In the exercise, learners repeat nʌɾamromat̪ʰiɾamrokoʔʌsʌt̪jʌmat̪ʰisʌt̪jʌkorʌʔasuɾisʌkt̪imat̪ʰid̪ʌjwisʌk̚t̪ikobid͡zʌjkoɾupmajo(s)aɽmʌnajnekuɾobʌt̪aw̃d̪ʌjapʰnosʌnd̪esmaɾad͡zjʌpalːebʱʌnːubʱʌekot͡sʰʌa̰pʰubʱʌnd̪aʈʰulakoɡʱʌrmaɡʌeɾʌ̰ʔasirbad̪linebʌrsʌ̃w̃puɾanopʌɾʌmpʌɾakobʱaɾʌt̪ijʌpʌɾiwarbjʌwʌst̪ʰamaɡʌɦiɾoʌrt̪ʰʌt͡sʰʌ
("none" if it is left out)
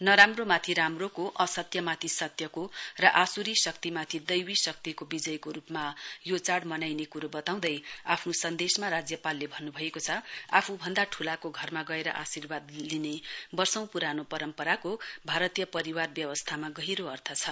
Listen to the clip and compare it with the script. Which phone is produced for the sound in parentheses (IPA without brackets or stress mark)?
t͡s